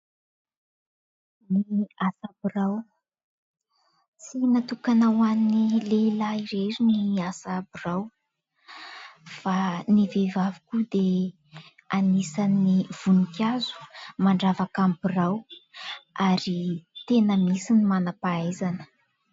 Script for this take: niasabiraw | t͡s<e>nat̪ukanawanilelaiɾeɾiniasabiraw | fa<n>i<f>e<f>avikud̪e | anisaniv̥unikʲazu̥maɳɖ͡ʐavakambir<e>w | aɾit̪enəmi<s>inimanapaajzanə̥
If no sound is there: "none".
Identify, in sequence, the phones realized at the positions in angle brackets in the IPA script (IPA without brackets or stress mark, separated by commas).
i, n, v, v, a, s